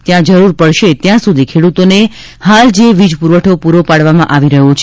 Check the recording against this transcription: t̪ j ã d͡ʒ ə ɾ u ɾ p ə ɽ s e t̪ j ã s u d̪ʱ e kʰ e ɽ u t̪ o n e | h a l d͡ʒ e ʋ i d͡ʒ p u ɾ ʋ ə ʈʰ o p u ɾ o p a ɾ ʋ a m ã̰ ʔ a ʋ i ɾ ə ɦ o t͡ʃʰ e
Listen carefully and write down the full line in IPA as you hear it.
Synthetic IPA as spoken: t̪ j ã d͡ʒ ə ɾ u ɾ p ə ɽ ʃ e t̪ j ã s u d̪ʱ i kʰ e ɽ u t̪ o n e | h a l d͡ʒ e ʋ i d͡ʒ p u ɾ ʋ ə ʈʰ o p u ɾ o p a ɽ ʋ a m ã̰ ʔ a ʋ i ɾ ə ɦ o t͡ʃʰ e

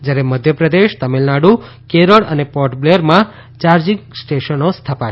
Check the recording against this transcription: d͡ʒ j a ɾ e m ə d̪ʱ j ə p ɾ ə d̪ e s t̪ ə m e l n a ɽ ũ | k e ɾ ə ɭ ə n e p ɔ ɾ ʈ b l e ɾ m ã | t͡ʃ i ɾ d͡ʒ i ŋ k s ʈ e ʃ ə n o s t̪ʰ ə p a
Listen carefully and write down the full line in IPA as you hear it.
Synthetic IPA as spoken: d͡ʒ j a ɾ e m ə d̪ʱ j ə p ɾ ə d̪ e ʃ t̪ ə m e l n a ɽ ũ | k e ɾ ə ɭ ə n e p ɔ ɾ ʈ b l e ɾ m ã | t͡ʃ a ɾ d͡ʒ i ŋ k s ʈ e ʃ ə n o s t̪ʰ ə p a

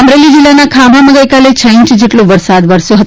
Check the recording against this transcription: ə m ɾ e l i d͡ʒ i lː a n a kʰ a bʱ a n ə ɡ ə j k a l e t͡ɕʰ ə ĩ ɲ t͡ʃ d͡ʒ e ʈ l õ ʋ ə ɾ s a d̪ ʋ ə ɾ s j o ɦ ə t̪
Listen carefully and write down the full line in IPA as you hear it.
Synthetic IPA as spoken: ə m ɾ e l i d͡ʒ i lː a n a kʰ a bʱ a m ə ɡ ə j k a l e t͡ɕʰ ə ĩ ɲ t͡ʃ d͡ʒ e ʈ l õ ʋ ə ɾ s a d̪ ʋ ə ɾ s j o ɦ ə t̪

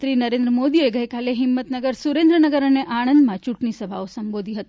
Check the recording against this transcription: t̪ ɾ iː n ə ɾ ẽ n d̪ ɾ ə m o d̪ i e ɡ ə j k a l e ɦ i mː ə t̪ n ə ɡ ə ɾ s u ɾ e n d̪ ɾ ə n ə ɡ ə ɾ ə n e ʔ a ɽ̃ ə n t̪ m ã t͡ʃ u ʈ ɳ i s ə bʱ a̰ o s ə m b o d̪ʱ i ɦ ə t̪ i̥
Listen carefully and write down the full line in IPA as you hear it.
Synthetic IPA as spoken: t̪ ɾ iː n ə ɾ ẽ n d̪ ɾ ə m o d̪ i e ɡ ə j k a l e ɦ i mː ə t̪ n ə ɡ ə ɾ s u ɾ e n d̪ ɾ ə n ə ɡ ə ɾ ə n e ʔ a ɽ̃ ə n d̪ m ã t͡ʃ u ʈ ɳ i s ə bʱ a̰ o s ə m b o d̪ʱ i ɦ ə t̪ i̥

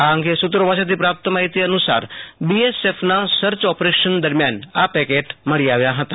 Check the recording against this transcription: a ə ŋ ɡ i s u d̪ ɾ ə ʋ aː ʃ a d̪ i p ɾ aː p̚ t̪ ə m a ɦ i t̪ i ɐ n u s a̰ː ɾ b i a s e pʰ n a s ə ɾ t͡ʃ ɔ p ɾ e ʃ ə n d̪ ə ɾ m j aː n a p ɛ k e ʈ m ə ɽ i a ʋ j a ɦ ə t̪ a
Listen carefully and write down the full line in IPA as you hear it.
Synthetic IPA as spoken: a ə ŋ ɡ e s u t̪ ɾ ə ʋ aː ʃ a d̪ i p ɾ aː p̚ t̪ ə m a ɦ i t̪ i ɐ n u s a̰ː ɾ b i e s e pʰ n a s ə ɾ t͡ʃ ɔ p ɾ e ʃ ə n d̪ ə ɾ m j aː n a p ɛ k e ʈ m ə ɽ i a ʋ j a ɦ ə t̪ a

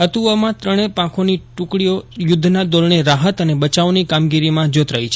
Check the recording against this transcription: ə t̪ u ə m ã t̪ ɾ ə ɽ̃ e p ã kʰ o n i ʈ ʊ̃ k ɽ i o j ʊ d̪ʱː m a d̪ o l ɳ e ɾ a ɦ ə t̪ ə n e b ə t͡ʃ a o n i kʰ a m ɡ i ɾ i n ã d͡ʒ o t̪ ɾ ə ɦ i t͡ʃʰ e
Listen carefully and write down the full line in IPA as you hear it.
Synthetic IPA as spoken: ə t̪ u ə m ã t̪ ɾ ə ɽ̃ e p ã kʰ o n i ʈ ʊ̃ k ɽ i o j ʊ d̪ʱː n a d̪ o l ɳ e ɾ a ɦ ə t̪ ə n e b ə t͡ʃ a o n i k a m ɡ i ɾ i m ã d͡ʒ o t̪ ɾ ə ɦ i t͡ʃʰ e

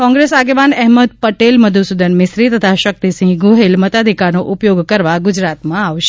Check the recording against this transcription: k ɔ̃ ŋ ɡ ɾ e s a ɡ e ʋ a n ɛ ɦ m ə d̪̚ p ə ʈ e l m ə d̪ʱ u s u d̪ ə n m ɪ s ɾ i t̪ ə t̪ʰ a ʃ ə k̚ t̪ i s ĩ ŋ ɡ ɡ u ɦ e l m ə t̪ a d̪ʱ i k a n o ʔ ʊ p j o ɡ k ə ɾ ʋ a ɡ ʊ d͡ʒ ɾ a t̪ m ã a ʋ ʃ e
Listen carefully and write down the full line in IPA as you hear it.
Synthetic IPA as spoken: k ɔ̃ ŋ ɡ ɾ e s a ɡ e ʋ a n ɛ ɦ m ə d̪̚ p ə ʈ e l m ə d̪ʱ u s u d̪ ə n m ɪ s ɾ i t̪ ə t̪ʰ a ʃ ə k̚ t̪ i s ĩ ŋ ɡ ɡ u ɦ e l m ə t̪ a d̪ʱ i k a n o ʔ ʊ p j o ɡ k ə ɾ ʋ a ɡ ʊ d͡ʒ ɾ a t̪ m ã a ʋ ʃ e

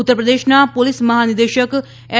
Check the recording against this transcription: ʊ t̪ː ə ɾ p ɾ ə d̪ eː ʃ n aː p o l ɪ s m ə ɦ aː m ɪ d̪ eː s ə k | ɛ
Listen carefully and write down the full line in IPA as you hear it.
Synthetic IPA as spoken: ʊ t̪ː ə ɾ p ɾ ə d̪ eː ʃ n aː p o l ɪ s m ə ɦ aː n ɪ d̪ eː ʃ ə k | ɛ

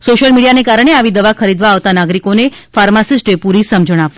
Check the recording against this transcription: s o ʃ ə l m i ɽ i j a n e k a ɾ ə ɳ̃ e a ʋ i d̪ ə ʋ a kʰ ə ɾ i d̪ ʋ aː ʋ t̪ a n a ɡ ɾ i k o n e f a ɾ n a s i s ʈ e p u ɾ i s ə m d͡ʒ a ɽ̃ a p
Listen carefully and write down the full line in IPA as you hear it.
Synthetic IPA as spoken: s o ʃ ə l m i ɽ i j a n e k a ɾ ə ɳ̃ e a ʋ i d̪ ə ʋ a kʰ ə ɾ i d̪ ʋ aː ʋ t̪ a n a ɡ ɾ i k o n e f a ɾ m a s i s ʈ e p u ɾ i s ə m d͡ʒ ə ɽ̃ a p

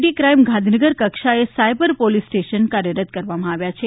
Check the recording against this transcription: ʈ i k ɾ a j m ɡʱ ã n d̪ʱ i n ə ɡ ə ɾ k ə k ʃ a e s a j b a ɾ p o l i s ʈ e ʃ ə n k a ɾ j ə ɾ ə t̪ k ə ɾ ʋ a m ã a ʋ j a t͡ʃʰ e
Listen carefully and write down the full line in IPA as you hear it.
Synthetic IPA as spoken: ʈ i k ɾ a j m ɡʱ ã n d̪ʱ i n ə ɡ ə ɾ k ə k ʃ a e s a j b ə ɾ p o l i s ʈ e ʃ ə n k a ɾ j ə ɾ ə t̪ k ə ɾ ʋ a m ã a ʋ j a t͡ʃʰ e

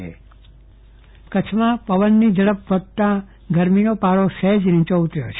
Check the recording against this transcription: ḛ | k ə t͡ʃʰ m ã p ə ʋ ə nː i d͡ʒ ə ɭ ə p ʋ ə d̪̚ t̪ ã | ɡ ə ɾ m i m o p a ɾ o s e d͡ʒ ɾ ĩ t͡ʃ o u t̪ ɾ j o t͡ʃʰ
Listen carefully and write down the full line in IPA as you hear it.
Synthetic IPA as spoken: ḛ | k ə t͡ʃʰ m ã p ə ʋ ə nː i d͡ʒ ə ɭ ə p ʋ ə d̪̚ t̪ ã | ɡ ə ɾ m i n o p a ɾ o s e d͡ʒ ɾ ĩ t͡ʃ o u t̪ ɾ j o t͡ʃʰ

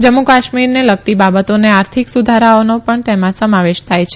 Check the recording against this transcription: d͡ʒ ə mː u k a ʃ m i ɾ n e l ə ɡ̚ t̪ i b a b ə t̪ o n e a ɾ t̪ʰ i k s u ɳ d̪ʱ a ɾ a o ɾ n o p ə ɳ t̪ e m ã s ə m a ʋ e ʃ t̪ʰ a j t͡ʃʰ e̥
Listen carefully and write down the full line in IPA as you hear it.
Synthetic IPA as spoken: d͡ʒ ə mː u k a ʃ m i ɾ n e l ə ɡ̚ t̪ i b a b ə t̪ o n e a ɾ t̪ʰ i k s u d̪ʱ a ɾ a o n o p ə ɳ t̪ e m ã s ə m a ʋ e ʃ t̪ʰ a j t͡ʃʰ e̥

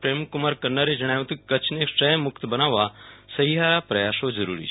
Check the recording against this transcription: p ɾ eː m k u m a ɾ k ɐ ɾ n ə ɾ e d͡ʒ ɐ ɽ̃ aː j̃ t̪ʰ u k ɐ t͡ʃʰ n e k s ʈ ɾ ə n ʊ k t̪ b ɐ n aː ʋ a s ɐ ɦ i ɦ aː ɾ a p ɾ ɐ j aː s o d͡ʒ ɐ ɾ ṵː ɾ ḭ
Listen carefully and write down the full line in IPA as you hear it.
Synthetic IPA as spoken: p ɾ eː m k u m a ɾ k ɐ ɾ n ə ɾ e d͡ʒ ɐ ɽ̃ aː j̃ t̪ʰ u k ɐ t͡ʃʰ n e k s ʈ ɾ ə m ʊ k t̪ b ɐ n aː ʋ a s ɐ ɦ i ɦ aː ɾ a p ɾ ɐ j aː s o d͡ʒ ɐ ɾ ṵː ɾ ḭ

